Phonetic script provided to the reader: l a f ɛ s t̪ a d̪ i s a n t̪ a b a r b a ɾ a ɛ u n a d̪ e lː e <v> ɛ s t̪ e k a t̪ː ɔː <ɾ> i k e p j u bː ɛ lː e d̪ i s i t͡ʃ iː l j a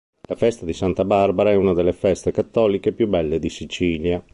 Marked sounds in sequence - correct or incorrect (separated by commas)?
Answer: incorrect, incorrect